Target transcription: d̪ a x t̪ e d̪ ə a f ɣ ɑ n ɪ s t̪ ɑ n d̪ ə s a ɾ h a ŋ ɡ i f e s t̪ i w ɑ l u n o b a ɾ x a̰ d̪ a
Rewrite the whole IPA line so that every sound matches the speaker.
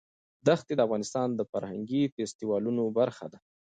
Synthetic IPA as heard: d̪ a x t̪ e d̪ ə a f ɣ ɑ n ɪ s t̪ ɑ n d̪ ə f a ɾ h a ŋ ɡ i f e s t̪ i w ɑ l u n o b a ɾ x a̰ d̪ a